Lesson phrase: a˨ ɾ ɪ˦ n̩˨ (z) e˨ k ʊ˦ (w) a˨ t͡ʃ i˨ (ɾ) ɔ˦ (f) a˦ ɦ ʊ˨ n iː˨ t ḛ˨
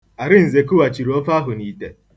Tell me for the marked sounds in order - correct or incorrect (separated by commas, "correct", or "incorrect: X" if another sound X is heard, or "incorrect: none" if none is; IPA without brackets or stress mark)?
correct, correct, correct, correct